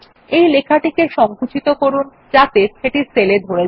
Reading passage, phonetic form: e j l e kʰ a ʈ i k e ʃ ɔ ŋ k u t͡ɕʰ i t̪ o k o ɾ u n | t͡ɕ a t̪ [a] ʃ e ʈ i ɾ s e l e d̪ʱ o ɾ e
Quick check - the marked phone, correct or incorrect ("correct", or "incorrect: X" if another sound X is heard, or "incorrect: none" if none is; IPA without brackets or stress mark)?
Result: incorrect: e